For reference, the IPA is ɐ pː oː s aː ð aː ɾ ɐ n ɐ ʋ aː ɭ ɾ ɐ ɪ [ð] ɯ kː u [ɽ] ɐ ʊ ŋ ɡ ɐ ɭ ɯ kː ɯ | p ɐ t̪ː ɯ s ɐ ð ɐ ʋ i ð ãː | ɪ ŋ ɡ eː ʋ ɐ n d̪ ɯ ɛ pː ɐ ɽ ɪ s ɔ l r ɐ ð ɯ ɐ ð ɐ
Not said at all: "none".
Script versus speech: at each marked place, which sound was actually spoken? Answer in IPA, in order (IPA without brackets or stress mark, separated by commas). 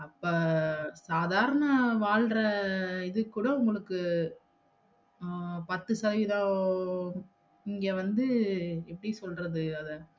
ð, ɽ